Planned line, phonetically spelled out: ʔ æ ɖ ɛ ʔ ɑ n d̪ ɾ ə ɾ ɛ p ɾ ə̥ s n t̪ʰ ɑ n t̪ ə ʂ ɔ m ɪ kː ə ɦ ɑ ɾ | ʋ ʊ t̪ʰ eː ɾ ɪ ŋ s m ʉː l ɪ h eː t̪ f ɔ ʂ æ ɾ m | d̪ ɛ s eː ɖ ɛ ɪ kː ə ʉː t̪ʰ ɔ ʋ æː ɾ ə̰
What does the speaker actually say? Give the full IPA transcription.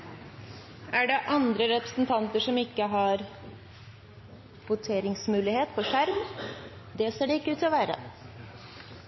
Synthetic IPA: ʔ æ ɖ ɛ ʔ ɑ n d̪ ɾ ə ɾ ɛ p ɾ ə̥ s n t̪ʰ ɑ n t̪ ə ʂ ɔ m ɪ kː ə ɦ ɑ ɾ | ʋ ʊ t̪ʰ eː ɾ ɪ ŋ s m ʉː l ɪ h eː t̪ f ɔ ʂ æ ɾ m | d̪ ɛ s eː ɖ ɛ ɪ kː ə ʉː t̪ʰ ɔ ʋ æː ɾ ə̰